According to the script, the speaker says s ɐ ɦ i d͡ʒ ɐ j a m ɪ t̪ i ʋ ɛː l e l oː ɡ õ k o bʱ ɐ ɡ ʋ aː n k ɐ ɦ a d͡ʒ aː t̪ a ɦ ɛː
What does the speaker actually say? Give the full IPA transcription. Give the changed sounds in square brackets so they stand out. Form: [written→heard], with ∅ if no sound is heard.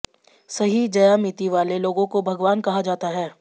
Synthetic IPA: s ɐ ɦ i d͡ʒ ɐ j a m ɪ t̪ i ʋ [ɛː→aː] l e l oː ɡ õ k o bʱ ɐ ɡ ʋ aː n k ɐ ɦ a d͡ʒ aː t̪ a ɦ ɛː